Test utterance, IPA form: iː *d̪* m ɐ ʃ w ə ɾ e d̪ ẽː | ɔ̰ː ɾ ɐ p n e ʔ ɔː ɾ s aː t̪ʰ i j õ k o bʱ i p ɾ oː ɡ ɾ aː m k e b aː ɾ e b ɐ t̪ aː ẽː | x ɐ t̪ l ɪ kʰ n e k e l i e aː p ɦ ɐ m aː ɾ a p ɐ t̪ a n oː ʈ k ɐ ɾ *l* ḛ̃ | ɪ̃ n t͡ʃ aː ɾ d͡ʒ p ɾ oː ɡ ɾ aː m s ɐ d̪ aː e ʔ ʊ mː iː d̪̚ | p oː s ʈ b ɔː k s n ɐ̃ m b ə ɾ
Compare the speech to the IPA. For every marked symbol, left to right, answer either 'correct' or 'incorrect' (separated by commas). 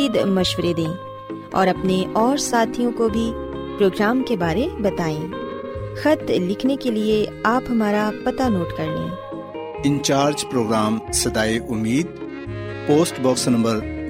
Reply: correct, correct